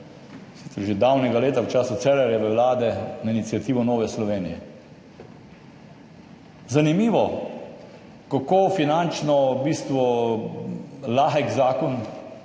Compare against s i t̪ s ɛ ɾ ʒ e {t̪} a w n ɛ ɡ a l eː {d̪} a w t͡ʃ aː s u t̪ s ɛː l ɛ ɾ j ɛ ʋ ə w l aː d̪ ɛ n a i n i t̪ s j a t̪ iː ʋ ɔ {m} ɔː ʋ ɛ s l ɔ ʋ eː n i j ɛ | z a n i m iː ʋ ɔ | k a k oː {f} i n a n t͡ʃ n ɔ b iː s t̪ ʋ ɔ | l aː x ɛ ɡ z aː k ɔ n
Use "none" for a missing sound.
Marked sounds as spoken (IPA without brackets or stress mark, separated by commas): d̪, t̪, n, f